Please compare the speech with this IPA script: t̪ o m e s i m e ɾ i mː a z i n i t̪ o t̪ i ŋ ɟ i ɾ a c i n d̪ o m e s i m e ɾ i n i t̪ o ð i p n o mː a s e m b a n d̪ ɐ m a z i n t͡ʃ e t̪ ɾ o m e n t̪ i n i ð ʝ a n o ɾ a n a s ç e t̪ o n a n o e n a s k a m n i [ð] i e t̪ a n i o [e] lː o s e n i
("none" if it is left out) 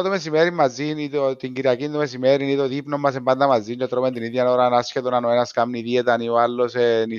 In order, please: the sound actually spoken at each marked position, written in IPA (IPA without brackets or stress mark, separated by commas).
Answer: ð, a